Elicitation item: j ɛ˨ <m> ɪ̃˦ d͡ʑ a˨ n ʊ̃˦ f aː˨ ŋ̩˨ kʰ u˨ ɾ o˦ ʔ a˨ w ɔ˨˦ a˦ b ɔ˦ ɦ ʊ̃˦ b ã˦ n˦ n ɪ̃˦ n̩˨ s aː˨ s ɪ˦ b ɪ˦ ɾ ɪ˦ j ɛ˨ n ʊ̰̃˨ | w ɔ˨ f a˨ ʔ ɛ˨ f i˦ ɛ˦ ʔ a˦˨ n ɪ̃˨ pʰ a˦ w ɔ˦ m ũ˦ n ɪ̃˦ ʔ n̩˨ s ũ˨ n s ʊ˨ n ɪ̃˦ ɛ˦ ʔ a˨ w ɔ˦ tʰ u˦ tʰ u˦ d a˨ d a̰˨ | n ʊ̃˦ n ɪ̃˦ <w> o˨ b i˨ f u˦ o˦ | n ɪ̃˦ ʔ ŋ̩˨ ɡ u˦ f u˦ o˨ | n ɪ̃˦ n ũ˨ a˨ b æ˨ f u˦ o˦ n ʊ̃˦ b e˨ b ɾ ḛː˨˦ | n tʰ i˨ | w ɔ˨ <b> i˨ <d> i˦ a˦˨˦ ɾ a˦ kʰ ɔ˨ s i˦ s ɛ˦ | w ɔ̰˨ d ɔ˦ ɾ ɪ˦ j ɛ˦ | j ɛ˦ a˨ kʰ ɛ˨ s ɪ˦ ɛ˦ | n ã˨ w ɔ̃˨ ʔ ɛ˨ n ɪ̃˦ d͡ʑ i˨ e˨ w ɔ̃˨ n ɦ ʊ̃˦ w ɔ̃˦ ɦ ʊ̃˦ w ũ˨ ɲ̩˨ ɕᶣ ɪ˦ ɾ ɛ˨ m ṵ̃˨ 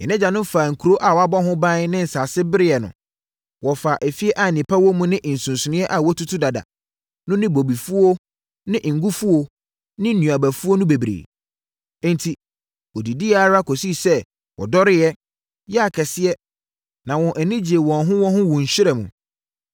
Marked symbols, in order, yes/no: no, no, no, yes

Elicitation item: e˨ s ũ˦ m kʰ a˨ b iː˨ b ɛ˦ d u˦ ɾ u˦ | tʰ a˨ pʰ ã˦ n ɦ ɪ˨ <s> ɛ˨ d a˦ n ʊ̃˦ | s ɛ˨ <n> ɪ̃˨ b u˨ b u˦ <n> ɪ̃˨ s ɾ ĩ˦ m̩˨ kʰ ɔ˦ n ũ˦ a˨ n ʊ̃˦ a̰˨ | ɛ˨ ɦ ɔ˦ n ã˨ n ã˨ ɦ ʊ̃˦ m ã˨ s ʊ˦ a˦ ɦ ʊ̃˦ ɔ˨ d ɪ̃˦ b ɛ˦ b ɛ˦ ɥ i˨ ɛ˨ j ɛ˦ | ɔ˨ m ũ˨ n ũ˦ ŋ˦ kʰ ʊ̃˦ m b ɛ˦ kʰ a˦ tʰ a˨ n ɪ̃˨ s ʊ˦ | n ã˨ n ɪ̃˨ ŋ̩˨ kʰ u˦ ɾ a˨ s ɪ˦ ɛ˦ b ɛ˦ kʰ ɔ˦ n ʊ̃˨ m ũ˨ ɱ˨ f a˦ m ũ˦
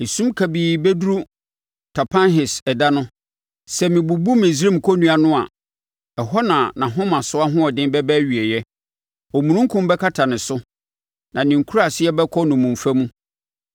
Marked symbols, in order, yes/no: yes, no, no

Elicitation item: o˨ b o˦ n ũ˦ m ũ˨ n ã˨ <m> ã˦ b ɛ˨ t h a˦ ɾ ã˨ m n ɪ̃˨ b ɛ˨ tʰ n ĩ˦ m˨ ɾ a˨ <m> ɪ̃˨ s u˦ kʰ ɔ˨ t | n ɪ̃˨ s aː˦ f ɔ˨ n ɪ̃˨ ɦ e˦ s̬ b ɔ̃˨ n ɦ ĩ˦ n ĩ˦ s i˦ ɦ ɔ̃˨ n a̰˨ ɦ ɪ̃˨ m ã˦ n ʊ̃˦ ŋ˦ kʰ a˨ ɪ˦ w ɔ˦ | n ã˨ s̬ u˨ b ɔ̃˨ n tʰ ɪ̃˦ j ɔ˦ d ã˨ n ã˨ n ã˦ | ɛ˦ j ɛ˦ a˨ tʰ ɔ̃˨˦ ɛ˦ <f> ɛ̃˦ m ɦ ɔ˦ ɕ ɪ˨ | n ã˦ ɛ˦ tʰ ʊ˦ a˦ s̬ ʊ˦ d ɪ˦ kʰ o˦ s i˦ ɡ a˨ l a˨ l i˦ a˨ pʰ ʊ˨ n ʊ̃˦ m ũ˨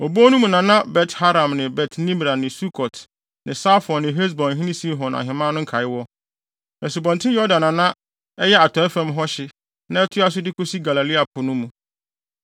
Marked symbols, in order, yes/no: no, no, yes

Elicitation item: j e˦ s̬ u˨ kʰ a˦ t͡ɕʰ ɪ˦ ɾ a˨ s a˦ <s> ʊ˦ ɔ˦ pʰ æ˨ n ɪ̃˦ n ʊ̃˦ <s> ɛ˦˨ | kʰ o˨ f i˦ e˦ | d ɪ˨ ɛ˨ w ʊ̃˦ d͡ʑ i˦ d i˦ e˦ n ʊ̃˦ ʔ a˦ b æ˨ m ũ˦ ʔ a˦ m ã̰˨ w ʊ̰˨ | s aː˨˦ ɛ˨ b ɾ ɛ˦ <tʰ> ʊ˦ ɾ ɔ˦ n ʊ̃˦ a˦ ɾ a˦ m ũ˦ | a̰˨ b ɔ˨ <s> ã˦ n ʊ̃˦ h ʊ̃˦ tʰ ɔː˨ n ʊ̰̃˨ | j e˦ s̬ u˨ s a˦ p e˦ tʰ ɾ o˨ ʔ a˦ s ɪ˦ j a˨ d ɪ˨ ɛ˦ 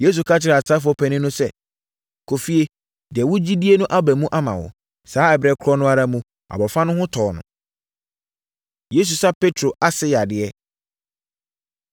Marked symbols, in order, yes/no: no, yes, no, no

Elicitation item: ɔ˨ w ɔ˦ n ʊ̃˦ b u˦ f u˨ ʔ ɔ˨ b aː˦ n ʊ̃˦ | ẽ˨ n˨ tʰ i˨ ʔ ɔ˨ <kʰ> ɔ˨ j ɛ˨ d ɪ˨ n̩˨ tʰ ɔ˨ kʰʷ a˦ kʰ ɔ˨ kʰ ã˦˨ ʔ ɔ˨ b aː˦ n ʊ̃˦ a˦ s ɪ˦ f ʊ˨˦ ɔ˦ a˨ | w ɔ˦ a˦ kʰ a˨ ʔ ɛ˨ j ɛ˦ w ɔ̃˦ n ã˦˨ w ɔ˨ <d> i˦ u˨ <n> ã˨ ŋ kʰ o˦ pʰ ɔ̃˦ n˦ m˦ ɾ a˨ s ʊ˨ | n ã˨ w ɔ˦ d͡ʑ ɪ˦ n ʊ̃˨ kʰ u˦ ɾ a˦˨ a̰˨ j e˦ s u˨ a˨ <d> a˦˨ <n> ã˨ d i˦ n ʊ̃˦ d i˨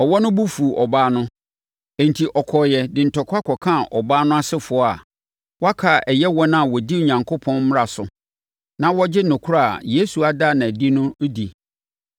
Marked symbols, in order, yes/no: yes, yes, no, yes, yes

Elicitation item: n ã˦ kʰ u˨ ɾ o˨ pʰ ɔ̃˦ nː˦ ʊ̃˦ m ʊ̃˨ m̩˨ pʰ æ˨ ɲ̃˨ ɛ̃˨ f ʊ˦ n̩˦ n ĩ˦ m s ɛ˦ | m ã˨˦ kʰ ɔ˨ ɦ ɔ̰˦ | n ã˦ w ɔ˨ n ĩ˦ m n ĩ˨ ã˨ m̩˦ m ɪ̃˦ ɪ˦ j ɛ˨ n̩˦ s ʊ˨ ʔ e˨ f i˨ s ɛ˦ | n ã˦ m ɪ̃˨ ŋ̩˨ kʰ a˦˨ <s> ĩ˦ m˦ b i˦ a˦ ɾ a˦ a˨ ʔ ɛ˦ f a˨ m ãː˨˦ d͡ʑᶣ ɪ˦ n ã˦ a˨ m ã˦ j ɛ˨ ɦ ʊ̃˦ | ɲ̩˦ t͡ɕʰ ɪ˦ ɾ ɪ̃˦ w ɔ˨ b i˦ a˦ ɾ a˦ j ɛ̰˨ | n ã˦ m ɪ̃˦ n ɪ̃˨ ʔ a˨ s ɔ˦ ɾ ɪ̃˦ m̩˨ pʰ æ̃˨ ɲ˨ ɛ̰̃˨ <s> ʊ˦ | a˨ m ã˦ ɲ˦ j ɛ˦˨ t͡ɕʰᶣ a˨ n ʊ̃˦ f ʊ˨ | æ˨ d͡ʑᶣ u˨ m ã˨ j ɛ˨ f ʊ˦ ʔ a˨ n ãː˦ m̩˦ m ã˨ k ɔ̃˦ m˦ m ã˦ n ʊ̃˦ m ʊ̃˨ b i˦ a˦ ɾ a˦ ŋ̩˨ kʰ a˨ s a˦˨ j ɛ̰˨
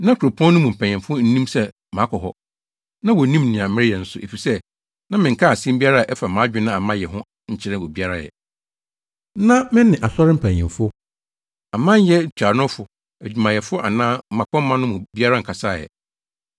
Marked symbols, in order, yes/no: yes, no

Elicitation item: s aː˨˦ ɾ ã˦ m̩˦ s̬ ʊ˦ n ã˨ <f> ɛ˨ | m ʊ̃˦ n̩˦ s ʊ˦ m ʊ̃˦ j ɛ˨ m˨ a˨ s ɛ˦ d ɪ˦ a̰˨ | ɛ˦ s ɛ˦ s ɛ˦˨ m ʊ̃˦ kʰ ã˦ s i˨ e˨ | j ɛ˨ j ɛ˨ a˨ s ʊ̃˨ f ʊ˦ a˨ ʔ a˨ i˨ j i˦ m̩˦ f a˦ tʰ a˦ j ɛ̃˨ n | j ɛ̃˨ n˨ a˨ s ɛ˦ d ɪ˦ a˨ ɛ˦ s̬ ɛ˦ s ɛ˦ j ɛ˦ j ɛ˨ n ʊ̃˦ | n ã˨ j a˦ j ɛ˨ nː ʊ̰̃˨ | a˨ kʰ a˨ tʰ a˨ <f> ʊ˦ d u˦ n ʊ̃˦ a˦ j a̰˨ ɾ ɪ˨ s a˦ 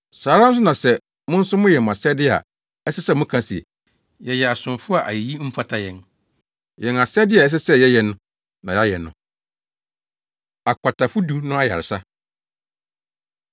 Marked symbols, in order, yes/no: no, yes

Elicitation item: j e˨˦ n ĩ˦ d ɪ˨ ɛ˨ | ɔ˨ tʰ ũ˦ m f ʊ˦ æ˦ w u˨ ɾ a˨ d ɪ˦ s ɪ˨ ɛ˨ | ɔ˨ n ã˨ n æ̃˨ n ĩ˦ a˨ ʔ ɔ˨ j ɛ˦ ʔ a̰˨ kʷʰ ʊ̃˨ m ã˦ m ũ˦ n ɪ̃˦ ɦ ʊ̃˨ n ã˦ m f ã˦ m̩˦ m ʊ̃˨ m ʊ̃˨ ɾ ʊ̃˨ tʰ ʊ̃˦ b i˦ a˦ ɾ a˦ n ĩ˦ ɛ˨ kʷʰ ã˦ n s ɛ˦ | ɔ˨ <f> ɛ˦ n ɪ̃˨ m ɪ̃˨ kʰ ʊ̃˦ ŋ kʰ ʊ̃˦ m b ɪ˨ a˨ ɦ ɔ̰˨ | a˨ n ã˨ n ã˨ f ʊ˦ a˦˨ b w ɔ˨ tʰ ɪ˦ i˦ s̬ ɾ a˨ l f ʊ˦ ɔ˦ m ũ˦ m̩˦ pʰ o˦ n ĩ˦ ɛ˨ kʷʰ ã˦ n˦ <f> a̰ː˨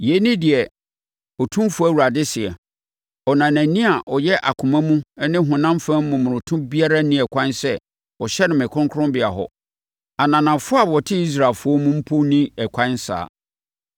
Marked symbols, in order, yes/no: no, no

